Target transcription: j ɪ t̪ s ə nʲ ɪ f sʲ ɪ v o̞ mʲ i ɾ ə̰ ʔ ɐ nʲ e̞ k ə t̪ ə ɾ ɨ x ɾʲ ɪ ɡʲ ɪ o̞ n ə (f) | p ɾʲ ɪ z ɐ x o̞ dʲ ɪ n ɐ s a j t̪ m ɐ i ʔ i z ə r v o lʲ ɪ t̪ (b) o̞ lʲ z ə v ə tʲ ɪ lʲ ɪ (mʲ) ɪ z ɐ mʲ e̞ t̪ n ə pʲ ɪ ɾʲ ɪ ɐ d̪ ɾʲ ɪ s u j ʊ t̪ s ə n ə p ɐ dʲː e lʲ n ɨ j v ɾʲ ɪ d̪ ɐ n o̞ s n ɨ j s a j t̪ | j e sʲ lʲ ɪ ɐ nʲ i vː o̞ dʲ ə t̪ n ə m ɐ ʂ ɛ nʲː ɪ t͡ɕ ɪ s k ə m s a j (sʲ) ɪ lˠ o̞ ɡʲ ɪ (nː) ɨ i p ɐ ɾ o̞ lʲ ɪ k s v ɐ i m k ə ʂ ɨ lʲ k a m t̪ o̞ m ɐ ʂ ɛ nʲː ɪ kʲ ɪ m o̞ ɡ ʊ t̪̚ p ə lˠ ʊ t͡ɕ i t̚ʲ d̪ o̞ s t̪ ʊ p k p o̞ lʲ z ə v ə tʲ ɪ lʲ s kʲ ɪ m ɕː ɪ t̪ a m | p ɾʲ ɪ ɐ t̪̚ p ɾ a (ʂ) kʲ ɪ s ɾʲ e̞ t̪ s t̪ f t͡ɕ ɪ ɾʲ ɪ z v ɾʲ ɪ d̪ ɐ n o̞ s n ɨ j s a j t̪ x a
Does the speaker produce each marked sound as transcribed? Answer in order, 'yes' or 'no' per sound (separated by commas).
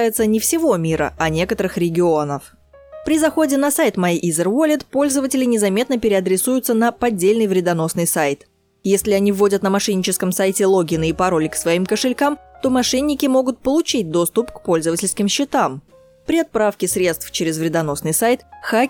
yes, no, no, no, no, no